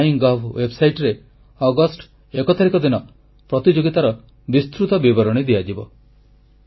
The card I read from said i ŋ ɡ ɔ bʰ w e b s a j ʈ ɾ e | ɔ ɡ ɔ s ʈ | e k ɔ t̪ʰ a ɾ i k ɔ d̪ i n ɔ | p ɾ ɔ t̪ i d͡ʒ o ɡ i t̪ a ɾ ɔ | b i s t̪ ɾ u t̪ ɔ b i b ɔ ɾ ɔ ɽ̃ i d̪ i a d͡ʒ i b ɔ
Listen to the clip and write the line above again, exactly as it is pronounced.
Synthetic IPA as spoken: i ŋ ɡ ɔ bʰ w e b s a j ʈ ɾ e | ɔ ɡ ɔ s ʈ | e k ɔ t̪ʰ a ɾ i k ɔ d̪ i n ɔ | p ɾ ɔ t̪ i d͡ʒ o ɡ i t̪ a ɾ ɔ | b i s t̪ ɾ u t̪ ɔ b i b ɔ ɾ ɔ ɽ̃ i d̪ i a d͡ʒ i b ɔ